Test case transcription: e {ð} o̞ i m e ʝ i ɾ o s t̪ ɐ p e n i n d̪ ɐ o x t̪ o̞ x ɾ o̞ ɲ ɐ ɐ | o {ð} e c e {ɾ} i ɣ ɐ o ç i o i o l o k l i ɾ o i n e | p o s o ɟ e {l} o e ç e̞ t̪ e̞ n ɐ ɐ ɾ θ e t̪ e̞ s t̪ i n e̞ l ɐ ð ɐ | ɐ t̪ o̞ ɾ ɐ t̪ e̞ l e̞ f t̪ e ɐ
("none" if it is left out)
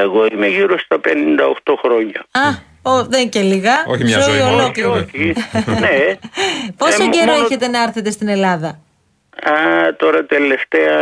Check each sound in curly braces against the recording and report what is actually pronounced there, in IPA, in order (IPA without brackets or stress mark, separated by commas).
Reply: ɣ, ð, l, ɾ